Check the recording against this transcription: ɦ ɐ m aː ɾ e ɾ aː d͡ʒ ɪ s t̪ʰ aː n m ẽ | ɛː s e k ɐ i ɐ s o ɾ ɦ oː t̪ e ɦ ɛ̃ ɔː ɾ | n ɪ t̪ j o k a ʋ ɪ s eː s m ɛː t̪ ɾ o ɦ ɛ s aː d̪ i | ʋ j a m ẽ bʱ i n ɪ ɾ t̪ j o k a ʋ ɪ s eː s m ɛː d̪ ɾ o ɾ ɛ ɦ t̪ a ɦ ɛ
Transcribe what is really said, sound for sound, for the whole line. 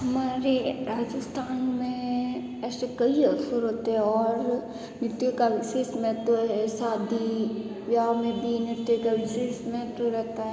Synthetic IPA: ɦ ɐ m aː ɾ e ɾ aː d͡ʒ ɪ s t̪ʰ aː n m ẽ | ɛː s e k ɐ i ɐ s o ɾ ɦ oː t̪ e ɦ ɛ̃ ɔː ɾ | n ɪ t̪ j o k a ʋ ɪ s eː s m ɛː t̪ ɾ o ɦ ɛ s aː d̪ i | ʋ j a m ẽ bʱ i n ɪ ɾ t̪ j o k a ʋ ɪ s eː s m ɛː t̪ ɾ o ɾ ɛ ɦ t̪ a ɦ ɛ